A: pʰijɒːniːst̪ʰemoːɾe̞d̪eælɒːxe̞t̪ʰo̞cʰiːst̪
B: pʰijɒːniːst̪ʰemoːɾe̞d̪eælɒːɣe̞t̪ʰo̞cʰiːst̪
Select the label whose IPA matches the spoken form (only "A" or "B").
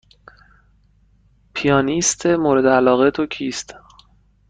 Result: B